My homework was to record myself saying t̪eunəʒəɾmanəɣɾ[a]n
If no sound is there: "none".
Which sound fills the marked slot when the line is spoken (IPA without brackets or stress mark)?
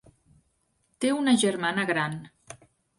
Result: a